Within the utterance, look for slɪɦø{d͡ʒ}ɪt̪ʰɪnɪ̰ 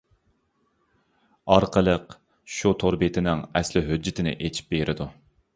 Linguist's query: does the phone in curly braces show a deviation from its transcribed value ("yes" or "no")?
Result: yes